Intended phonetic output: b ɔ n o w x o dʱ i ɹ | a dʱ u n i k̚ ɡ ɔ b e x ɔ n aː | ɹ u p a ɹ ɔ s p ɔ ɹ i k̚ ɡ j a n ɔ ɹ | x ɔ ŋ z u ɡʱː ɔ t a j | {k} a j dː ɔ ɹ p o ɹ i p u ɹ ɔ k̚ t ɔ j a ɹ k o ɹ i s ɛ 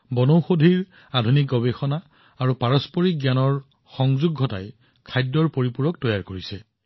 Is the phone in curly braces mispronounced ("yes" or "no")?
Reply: yes